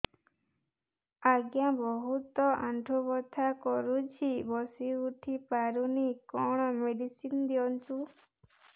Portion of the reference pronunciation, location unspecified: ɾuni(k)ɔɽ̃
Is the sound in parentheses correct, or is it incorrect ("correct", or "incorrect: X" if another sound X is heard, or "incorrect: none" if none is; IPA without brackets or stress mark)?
correct